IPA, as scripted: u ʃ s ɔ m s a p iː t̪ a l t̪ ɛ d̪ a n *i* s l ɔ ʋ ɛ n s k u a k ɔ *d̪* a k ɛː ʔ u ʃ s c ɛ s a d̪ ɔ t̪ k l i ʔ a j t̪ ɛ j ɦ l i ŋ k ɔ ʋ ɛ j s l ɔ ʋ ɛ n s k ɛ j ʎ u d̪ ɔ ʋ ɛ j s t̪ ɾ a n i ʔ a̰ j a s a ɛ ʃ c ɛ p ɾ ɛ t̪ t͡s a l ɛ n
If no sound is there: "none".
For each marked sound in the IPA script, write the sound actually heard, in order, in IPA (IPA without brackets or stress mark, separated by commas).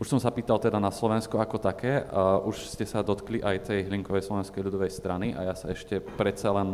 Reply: a, t̪